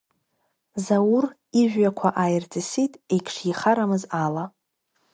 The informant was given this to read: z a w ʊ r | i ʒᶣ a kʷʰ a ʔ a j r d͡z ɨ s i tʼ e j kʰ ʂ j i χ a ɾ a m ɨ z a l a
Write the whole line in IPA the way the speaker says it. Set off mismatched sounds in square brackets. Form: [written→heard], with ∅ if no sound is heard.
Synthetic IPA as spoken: z a w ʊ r | i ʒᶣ a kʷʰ a ʔ a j r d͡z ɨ s i tʼ e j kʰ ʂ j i χ a ɾ a m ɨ z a l a